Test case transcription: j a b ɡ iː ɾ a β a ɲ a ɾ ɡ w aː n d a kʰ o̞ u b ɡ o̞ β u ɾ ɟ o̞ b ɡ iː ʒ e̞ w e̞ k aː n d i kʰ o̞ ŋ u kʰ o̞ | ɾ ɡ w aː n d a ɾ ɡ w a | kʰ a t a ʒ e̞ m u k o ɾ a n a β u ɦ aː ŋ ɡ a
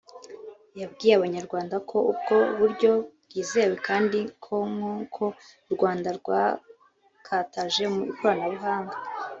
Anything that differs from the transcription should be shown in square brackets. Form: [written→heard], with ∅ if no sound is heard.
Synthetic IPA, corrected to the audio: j a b ɡ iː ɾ a β a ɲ a ɾ ɡ w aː n d a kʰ o̞ u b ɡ o̞ β u ɾ ɟ o̞ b ɡ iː [ʒ→z] e̞ w e̞ k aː n d i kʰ o̞ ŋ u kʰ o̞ | ɾ ɡ w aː n d a ɾ ɡ w a | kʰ a t a ʒ e̞ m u k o ɾ a n a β u ɦ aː ŋ ɡ a